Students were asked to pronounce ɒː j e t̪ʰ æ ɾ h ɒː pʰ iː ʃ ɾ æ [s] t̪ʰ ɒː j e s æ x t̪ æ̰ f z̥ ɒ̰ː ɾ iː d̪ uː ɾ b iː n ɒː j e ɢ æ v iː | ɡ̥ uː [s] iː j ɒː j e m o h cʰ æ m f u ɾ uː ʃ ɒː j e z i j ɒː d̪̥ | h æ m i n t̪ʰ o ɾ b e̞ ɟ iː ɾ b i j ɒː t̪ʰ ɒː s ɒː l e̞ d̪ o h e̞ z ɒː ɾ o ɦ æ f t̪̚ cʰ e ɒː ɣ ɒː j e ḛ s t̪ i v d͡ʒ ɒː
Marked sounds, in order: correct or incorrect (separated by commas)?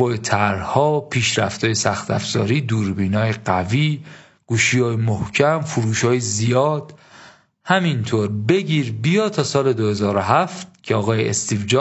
incorrect, incorrect